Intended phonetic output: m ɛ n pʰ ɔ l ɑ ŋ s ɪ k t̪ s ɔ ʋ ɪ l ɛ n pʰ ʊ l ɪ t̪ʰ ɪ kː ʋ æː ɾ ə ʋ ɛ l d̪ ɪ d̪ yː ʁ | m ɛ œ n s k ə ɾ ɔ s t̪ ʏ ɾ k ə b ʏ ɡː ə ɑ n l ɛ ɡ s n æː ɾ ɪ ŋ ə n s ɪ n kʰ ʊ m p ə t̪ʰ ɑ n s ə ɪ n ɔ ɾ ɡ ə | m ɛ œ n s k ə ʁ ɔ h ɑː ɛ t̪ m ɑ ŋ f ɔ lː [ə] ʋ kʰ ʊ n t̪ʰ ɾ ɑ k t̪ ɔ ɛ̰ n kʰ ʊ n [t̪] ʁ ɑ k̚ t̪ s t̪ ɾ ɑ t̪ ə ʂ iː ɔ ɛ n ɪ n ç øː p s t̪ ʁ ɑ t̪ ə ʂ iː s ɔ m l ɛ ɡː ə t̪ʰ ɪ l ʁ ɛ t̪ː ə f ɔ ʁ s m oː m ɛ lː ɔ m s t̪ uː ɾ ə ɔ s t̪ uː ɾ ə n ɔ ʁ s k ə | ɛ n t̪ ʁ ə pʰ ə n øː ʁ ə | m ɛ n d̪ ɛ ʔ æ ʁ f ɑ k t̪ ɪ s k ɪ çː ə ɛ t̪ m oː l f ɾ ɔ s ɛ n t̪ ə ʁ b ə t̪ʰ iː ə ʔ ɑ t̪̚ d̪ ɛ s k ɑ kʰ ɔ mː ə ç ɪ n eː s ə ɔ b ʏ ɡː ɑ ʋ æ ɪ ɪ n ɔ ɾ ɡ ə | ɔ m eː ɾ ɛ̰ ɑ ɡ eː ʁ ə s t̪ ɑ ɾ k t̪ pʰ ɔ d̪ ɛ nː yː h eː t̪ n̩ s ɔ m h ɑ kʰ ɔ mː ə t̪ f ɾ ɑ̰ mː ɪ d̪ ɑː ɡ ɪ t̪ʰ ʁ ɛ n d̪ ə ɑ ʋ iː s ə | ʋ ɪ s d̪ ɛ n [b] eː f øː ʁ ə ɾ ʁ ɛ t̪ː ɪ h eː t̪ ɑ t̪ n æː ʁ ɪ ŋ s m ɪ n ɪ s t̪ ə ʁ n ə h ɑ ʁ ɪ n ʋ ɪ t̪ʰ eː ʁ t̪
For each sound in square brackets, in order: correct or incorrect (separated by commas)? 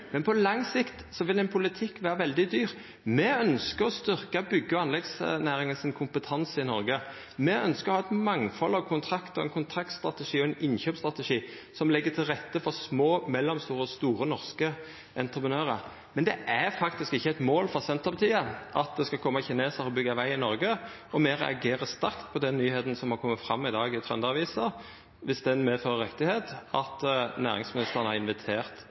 incorrect, incorrect, incorrect